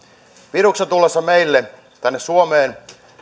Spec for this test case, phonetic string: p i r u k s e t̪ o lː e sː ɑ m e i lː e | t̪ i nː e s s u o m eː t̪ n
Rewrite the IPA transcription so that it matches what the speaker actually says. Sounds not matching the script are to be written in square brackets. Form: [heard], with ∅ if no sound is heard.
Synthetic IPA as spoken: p i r u k s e t̪ [u] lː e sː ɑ m e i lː e | t̪ [æ] nː e s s u o m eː [∅] n

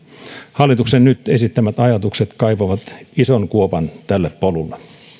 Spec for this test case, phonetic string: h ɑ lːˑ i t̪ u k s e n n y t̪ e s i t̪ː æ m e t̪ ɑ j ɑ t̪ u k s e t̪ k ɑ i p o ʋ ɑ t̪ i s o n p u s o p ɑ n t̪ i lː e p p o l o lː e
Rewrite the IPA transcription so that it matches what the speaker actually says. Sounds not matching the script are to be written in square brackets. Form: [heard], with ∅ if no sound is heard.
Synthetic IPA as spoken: h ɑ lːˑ i t̪ u k s e n n y t̪ e s i t̪ː æ m [æ] t̪ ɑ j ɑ t̪ u k s e t̪ k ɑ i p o ʋ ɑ t̪ i s o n [k] u [∅] o p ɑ n t̪ [æ] lː e p p o l [u] lː e

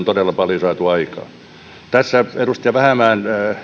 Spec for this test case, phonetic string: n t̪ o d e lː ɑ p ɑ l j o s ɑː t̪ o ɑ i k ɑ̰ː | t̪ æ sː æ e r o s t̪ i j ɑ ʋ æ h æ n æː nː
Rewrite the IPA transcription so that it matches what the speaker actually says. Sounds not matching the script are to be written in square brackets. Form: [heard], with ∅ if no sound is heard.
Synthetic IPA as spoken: n t̪ o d e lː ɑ p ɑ l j o s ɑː t̪ [u] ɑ i k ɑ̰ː | t̪ æ sː æ e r [u] s t̪ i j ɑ ʋ æ h æ [m] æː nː

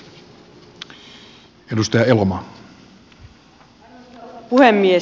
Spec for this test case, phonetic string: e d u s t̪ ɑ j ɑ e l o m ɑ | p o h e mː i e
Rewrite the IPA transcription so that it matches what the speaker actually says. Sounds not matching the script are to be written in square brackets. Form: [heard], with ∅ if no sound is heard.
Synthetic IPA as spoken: e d u s t̪ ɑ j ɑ e l o m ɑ | p [u] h e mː i e

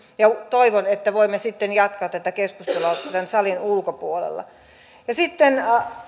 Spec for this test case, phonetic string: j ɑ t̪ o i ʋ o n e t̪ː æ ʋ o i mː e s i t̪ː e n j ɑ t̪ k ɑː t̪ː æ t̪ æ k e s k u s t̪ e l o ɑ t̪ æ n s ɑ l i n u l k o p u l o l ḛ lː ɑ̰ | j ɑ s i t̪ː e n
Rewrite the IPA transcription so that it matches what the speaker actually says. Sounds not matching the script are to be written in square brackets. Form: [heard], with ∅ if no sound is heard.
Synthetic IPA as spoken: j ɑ t̪ o i ʋ o n e t̪ː æ ʋ o i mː e s i t̪ː e n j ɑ t̪ k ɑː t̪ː æ t̪ æ k e s k u s t̪ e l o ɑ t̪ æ n s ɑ l i n u l k o p u [∅] o l ḛ lː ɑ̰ | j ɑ s i t̪ː e n

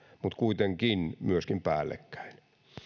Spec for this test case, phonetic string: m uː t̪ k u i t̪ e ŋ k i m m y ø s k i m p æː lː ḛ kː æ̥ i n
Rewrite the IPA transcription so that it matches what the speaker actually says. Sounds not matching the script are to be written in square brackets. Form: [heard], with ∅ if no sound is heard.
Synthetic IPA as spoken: m [u] t̪ k u i t̪ e ŋ k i [n] m y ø s k i m p æː lː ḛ kː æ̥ i n

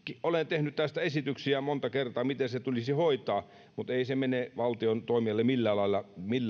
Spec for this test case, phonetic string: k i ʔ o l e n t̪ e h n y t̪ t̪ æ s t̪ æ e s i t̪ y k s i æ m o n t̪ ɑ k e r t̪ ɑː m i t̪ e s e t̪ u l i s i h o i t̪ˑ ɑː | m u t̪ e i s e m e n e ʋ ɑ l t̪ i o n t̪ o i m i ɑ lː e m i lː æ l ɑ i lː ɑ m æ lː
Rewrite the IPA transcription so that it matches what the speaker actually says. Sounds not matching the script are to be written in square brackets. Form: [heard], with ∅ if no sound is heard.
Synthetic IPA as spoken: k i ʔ o l e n t̪ e h n y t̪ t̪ æ s t̪ æ e s i t̪ y k s i æ m o n t̪ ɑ k e r t̪ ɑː m i t̪ e s e t̪ u l i s i h o i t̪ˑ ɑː | m u t̪ e i s e m e n e ʋ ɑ l t̪ i o n t̪ o i m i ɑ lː e m i lː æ l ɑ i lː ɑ m [i] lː

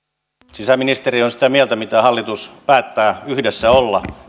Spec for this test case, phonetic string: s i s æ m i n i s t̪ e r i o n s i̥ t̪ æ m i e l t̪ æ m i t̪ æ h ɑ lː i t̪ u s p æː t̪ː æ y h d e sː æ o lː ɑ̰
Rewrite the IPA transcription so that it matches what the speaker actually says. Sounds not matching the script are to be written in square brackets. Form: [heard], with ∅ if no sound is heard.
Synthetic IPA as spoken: s i s æ m i n i s t̪ e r i o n s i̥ t̪ æ m i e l t̪ æ m i t̪ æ h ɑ lː i t̪ u s p æː t̪ː [æː] y h d e sː æ o lː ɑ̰

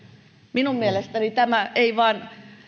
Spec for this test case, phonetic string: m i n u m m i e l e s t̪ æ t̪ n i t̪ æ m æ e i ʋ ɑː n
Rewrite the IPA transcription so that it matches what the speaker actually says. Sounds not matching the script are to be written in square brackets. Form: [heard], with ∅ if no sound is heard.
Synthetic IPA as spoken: m i n u m m i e l e s t̪ æ [∅] n i t̪ æ m æ e i ʋ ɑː n

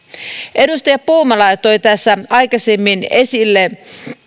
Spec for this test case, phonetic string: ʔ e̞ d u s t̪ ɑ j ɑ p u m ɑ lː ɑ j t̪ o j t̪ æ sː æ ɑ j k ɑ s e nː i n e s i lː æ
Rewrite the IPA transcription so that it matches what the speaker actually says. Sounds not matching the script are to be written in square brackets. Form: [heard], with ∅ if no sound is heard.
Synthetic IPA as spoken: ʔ e̞ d u s t̪ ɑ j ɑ p [uː] m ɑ [l] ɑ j t̪ o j t̪ æ sː æ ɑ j k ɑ s e [mː] i n e s i lː [e]

